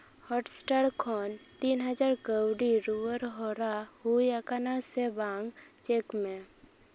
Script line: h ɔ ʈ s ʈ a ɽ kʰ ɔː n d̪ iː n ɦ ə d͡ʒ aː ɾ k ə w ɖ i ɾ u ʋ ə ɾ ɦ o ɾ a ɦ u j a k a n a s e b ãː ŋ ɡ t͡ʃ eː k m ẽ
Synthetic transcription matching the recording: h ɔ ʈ s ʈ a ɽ kʰ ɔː n t̪ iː n ɦ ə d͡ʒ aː ɾ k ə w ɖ i ɾ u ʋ ə ɾ ɦ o ɾ a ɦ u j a k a n a s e b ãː ŋ ɡ t͡ʃ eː k m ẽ